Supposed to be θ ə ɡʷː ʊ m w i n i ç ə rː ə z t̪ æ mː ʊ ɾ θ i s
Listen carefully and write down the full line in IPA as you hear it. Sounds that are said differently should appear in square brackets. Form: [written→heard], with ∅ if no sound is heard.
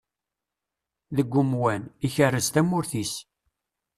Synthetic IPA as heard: [θ→ð] ə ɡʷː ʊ m w [i→æ] n i ç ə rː ə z t̪ æ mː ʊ ɾ θ i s